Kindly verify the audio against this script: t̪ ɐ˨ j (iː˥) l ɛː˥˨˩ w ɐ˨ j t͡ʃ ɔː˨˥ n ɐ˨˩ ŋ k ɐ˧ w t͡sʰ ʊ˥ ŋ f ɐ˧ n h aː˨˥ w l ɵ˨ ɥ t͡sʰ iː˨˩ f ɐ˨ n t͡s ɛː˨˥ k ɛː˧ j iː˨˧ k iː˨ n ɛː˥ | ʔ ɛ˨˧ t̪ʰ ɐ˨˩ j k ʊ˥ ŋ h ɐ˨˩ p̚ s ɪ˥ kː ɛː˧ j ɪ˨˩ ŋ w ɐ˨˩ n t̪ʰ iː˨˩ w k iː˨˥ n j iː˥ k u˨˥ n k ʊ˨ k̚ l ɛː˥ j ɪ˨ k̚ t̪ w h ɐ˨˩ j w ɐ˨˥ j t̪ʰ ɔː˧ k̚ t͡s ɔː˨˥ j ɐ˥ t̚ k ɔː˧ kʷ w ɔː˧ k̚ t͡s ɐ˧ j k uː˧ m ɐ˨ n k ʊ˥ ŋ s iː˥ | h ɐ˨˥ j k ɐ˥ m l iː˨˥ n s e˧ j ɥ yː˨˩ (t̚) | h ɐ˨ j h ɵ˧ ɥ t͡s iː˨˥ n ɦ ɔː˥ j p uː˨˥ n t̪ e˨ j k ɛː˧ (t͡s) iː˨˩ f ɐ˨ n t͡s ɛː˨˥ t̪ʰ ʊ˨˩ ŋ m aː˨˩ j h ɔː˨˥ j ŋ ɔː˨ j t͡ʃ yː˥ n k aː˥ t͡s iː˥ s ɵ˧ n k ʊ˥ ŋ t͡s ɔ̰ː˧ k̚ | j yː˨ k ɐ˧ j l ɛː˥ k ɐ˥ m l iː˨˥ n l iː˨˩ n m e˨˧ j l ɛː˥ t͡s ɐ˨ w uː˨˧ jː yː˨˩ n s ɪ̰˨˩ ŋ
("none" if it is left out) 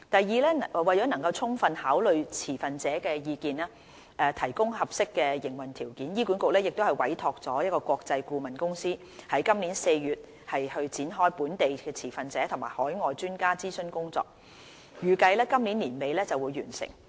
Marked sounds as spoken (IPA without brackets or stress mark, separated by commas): iː˨˧, t̚, t͡sʰ